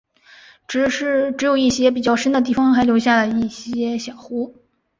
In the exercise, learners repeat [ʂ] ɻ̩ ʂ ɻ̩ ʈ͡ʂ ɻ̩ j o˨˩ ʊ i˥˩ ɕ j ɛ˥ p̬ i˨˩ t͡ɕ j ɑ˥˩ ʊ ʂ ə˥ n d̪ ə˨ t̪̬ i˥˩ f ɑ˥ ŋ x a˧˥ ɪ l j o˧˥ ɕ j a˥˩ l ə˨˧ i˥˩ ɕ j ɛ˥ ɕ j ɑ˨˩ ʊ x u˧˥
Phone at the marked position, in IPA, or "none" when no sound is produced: ʈ͡ʂ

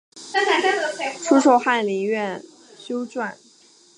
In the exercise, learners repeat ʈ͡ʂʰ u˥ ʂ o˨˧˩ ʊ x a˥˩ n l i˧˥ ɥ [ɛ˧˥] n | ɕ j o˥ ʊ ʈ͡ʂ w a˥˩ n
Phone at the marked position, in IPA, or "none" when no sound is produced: ɛ˥˩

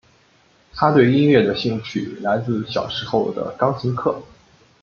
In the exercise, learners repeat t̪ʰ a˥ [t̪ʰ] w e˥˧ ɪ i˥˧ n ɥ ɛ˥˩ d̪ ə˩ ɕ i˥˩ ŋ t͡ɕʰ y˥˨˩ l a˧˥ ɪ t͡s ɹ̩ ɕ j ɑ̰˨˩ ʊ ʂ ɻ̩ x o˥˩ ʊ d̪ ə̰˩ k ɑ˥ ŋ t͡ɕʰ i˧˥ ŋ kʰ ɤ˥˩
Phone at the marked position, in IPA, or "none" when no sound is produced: t̪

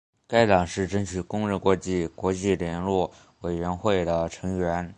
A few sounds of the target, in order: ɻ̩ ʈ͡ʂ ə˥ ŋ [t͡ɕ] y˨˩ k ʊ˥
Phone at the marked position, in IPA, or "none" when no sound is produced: t͡ɕʰ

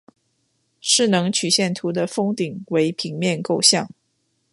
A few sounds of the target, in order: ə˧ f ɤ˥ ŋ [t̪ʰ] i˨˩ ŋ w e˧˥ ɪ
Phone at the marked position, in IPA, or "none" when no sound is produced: t̪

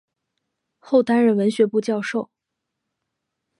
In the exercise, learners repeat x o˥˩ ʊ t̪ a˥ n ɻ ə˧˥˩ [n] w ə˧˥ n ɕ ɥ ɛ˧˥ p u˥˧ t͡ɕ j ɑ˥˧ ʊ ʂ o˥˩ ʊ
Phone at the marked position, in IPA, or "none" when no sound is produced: n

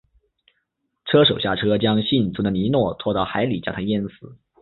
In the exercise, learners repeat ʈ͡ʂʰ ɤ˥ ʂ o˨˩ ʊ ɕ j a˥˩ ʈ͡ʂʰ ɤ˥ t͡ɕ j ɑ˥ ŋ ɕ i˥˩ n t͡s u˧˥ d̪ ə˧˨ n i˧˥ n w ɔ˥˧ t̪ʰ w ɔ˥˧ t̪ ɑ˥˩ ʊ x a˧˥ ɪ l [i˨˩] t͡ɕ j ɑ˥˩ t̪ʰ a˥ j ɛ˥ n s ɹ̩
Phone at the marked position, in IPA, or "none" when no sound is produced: i˨˩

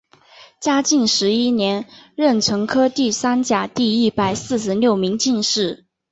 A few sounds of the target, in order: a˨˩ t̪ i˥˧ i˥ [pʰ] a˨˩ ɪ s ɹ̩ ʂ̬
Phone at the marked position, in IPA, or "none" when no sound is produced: p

